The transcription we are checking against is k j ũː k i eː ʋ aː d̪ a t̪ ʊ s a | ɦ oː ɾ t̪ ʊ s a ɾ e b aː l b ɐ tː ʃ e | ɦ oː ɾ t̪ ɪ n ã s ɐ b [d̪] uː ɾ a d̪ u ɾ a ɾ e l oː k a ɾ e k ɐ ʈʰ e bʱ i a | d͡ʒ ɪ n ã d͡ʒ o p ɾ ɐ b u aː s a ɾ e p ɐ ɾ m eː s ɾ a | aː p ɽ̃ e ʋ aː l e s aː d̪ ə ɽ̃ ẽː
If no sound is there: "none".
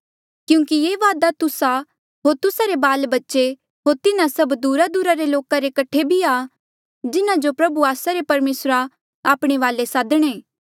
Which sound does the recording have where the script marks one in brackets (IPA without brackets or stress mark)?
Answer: d̪